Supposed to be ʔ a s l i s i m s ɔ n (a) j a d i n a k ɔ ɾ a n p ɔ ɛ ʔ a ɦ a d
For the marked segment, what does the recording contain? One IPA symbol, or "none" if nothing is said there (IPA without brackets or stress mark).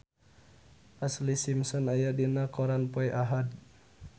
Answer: a